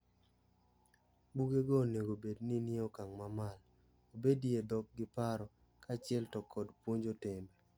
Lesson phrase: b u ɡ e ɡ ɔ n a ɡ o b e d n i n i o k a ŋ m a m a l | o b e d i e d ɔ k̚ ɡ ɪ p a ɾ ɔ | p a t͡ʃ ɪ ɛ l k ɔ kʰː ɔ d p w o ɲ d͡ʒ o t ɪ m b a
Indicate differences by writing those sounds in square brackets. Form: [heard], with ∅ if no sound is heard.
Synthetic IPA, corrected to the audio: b u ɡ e ɡ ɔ n [e] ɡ o b e d n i n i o k a ŋ m a m a l | o b e d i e d ɔ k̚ ɡ ɪ p a ɾ ɔ | [k] a t͡ʃ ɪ ɛ l [t] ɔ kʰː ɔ d p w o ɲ d͡ʒ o t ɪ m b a

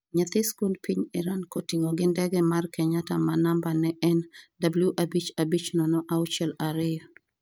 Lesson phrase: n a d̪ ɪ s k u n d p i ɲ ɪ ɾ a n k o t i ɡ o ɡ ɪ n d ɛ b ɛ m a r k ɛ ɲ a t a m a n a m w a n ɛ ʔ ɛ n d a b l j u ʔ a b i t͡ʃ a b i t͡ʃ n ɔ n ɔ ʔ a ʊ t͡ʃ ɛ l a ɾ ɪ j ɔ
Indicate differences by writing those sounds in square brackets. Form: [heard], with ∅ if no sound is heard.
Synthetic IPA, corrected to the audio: [ɲ] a [t̪] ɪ s k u n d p i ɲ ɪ ɾ a n k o t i [ŋ] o ɡ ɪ n d ɛ [ɡ] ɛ m a r k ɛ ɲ a t a m a n a m [b] a n ɛ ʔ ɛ n d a b l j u ʔ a b i t͡ʃ a b i t͡ʃ n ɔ n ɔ ʔ a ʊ t͡ʃ ɛ l a ɾ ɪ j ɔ

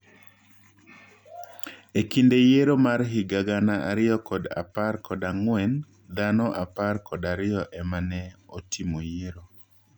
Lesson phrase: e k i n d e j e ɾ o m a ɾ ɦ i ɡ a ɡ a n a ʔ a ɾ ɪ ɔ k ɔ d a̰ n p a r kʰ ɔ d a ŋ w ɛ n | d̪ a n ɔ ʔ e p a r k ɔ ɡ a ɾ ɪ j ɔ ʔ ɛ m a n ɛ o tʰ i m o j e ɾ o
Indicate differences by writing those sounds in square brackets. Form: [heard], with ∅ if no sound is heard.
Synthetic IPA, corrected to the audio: e k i n d e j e ɾ o m a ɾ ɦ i ɡ a ɡ a n a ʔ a ɾ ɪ ɔ k ɔ d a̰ [∅] p a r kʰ ɔ d a ŋ w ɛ n | d̪ a n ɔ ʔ [a] p a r k ɔ [d] a ɾ ɪ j ɔ ʔ ɛ m a n ɛ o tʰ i m o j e ɾ o

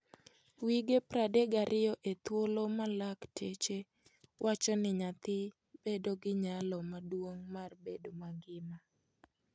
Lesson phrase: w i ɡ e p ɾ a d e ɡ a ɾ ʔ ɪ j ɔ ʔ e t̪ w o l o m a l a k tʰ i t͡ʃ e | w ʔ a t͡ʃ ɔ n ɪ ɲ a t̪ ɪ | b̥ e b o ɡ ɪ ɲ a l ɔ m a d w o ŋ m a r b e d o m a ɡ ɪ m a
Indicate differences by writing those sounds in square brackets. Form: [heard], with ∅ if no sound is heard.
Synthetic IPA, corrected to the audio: w i ɡ e p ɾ a d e ɡ a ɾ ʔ ɪ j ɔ ʔ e t̪ w o l o m a l a k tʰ [e] t͡ʃ e | w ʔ a t͡ʃ ɔ n ɪ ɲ a t̪ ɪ | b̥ e [d] o ɡ ɪ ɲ a l ɔ m a d w o ŋ m a r b e d o m a ɡ ɪ m a

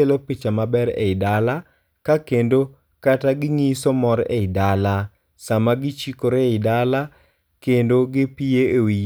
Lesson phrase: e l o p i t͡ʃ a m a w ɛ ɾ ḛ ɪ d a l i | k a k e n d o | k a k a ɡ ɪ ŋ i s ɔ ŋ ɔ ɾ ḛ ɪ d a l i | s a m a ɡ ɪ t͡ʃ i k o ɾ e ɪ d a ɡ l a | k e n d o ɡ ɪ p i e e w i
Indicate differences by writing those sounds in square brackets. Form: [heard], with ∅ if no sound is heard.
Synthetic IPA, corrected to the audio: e l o p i t͡ʃ a m a [b] ɛ ɾ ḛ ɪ d a l [a] | k a k e n d o | k a [t] a ɡ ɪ ŋ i s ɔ [m] ɔ ɾ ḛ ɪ d a l [a] | s a m a ɡ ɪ t͡ʃ i k o ɾ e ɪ d a [∅] l a | k e n d o ɡ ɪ p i e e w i

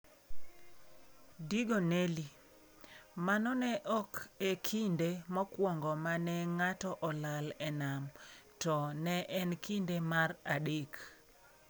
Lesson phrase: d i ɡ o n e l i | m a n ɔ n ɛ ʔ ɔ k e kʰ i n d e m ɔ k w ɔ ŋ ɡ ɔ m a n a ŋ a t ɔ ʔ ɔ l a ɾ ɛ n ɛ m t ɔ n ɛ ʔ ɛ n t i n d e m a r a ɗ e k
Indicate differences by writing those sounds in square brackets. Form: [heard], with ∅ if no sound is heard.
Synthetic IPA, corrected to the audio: d i ɡ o n e l i | m a n ɔ n ɛ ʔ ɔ k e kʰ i n d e m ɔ k w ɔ ŋ ɡ ɔ m a n [ɛ] ŋ a t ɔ ʔ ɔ l a [l] ɛ n [a] m t ɔ n ɛ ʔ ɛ n [k] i n d e m a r a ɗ e k

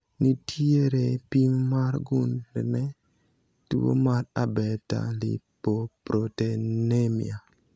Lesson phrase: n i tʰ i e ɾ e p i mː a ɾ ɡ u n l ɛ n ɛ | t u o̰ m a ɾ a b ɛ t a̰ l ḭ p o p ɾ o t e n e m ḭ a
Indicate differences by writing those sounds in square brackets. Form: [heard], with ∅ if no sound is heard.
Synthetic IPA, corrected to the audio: n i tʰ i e ɾ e p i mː a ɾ ɡ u n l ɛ n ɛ | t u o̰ m a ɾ a b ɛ t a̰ l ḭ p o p ɾ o t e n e m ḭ a

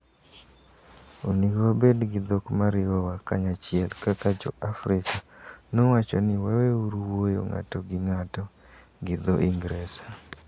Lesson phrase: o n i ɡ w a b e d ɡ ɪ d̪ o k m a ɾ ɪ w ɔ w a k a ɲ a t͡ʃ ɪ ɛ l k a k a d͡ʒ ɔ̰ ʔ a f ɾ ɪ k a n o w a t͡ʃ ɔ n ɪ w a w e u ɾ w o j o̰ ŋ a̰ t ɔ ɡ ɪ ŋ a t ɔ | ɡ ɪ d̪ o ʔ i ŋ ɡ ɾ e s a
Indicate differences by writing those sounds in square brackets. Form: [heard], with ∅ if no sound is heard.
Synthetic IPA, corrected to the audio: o n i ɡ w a b e d ɡ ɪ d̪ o k m a ɾ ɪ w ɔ w a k a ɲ a t͡ʃ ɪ ɛ l k a k a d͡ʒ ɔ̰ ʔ a f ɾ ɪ k a n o w a t͡ʃ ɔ n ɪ w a w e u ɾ w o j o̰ ŋ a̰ t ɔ ɡ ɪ ŋ a t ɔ | ɡ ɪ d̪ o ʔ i ŋ ɡ ɾ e s a

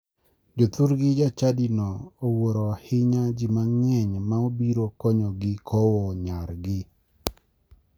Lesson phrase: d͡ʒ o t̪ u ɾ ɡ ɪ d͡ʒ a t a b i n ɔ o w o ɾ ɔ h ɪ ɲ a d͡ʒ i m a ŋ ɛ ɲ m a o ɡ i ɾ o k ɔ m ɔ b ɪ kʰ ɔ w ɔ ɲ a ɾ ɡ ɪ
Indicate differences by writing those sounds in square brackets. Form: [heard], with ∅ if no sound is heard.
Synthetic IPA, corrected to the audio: d͡ʒ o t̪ u ɾ ɡ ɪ d͡ʒ a [t͡ʃ] a [d] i n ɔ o w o ɾ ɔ h ɪ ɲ a d͡ʒ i m a ŋ ɛ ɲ m a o [b] i ɾ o k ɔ [ɲ] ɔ [ɡ] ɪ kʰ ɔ w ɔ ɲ a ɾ ɡ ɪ

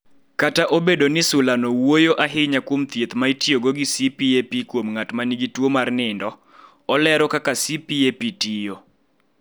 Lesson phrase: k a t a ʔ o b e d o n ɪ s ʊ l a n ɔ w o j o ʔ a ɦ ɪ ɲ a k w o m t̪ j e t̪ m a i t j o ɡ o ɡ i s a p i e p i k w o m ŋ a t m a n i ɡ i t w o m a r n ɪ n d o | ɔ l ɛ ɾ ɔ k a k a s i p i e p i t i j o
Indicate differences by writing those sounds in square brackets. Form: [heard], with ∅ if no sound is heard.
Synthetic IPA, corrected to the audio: k a t a ʔ o b e d o n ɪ s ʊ l a n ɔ w o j o ʔ a ɦ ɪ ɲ a k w o m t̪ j e t̪ m a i t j o ɡ o ɡ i s [i] p i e p i k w o m ŋ a t m a n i ɡ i t w o m a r n ɪ n d [ɔ] | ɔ l ɛ ɾ ɔ k a k a s i p i e p i t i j o

